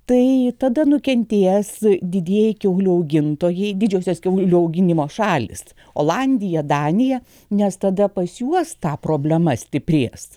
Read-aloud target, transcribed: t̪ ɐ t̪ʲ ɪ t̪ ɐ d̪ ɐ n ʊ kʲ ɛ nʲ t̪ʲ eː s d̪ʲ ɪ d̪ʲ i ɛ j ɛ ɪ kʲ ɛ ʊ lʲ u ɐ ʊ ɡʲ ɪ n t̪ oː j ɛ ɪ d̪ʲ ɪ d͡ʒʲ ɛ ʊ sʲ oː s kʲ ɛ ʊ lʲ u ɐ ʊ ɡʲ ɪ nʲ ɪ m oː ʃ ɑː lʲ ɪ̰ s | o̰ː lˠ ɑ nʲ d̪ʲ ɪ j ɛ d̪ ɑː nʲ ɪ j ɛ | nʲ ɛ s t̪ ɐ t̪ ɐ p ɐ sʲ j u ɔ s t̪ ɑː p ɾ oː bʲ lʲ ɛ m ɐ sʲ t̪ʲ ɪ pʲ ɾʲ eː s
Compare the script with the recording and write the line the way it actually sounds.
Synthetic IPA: t̪ ɐ ɪ t̪ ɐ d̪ ɐ n ʊ kʲ ɛ nʲ t̪ʲ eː s d̪ʲ ɪ d̪ʲ i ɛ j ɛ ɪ kʲ ɛ ʊ lʲ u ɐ ʊ ɡʲ ɪ n t̪ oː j ɛ ɪ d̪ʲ ɪ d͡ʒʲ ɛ ʊ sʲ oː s kʲ ɛ ʊ lʲ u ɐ ʊ ɡʲ ɪ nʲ ɪ m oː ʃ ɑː lʲ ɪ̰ s | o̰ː lˠ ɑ nʲ d̪ʲ ɪ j ɛ d̪ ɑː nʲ ɪ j ɛ | nʲ ɛ s t̪ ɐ d̪ ɐ p ɐ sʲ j u ɔ s t̪ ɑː p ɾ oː bʲ lʲ ɛ m ɐ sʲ t̪ʲ ɪ pʲ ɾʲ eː s